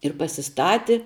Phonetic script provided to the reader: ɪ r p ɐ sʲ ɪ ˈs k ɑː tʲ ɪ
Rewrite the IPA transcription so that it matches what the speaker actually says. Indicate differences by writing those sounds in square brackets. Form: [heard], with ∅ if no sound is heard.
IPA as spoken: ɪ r p ɐ sʲ ɪ ˈs [t] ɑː tʲ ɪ